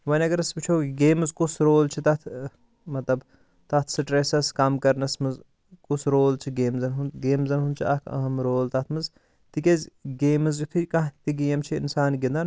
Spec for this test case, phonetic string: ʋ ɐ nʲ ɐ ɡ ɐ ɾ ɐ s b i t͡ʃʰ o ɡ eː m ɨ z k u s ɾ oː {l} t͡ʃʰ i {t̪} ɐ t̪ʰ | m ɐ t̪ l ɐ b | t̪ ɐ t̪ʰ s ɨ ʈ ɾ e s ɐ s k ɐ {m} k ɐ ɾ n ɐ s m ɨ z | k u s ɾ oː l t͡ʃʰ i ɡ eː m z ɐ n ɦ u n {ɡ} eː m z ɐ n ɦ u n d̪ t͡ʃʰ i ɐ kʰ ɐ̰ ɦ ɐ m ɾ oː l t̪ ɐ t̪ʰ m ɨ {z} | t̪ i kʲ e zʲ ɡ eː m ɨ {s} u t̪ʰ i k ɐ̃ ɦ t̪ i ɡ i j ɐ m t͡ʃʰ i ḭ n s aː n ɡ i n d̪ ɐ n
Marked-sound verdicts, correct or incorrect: correct, correct, correct, correct, correct, incorrect: z

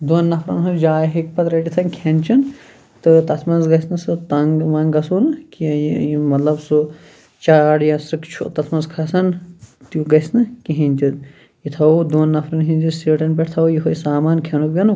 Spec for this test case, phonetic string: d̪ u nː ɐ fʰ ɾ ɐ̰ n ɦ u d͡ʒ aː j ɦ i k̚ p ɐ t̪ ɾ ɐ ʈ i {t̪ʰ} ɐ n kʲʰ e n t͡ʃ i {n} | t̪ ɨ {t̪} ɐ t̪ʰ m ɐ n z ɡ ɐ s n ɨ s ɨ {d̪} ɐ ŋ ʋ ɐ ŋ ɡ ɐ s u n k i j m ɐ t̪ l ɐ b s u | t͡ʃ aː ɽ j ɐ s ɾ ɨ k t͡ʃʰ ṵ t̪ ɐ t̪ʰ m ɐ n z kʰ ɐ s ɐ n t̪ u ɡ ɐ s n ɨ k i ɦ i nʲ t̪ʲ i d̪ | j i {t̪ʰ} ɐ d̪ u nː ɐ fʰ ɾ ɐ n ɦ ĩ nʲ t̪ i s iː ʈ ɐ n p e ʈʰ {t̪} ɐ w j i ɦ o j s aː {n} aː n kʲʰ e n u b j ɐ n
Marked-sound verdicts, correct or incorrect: correct, correct, correct, incorrect: t̪, correct, incorrect: t̪ʰ, incorrect: m

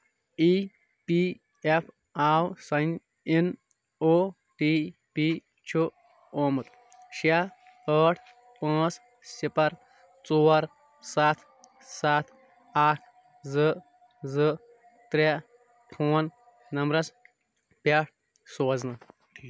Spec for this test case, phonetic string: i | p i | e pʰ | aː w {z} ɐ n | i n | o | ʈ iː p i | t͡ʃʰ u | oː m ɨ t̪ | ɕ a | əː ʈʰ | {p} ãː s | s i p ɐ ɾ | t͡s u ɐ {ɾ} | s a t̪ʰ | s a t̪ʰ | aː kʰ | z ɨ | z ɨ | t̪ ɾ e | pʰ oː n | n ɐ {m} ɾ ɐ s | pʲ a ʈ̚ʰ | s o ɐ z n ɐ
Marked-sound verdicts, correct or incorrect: incorrect: s, correct, correct, correct

